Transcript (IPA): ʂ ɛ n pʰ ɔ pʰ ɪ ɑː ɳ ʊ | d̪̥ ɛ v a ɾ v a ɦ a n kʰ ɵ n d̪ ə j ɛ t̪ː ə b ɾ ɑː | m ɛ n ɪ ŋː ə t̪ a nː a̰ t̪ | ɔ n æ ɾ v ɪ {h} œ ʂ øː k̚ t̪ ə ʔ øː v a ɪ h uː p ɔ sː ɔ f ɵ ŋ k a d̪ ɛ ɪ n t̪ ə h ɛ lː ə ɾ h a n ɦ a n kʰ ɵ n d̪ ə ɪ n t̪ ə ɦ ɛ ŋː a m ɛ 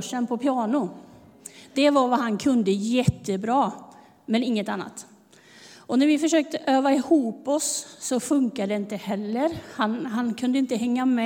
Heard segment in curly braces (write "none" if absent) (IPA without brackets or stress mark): f